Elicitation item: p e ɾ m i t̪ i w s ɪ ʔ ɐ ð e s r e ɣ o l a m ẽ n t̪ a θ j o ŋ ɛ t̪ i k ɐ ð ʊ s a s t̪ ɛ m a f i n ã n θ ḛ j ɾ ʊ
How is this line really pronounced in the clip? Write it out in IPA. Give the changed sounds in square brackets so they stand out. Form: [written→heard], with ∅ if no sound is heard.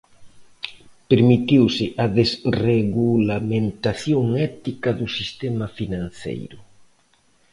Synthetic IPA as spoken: p e ɾ m i t̪ i w s ɪ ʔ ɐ ð e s r e ɣ [o→u] l a m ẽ n t̪ a θ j o ŋ ɛ t̪ i k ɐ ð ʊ s [a→i] s t̪ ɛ m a f i n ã n θ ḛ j ɾ ʊ